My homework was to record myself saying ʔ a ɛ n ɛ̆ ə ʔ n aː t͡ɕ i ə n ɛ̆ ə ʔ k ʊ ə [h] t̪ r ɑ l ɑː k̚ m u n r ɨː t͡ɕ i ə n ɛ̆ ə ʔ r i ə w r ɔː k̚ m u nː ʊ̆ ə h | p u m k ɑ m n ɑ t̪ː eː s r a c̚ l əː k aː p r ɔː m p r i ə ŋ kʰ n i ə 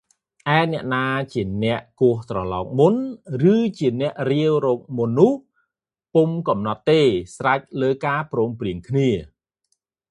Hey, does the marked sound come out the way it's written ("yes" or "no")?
yes